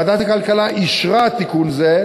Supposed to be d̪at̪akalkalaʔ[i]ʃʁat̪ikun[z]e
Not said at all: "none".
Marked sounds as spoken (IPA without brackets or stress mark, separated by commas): i, z